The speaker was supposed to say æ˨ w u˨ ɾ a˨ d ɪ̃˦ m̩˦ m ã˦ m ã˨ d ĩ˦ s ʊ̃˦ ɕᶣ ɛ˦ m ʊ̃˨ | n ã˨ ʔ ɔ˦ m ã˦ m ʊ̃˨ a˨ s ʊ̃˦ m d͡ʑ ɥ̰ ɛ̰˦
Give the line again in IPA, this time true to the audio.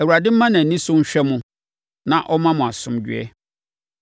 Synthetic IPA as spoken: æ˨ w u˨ ɾ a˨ d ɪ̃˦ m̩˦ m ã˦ n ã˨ n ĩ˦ s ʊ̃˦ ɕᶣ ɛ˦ m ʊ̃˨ | n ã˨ ʔ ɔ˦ m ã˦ m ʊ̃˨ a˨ s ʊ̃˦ m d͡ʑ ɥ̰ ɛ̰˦